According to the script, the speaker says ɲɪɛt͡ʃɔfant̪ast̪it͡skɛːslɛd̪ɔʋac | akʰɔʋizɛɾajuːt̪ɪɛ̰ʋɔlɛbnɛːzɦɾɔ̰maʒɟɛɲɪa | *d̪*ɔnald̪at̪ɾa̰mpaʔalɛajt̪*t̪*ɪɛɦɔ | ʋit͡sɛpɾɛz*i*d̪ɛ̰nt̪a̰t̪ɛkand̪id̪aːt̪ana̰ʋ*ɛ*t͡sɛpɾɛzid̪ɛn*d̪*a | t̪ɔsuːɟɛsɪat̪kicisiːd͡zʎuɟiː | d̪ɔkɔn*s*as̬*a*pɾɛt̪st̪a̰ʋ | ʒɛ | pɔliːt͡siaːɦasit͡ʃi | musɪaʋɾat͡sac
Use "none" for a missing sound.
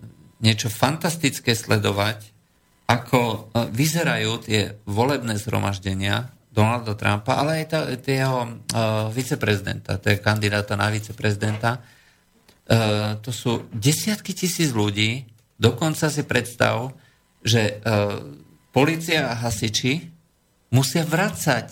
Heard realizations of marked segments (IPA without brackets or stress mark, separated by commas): d̪, t̪, i, i, t̪, t͡s, i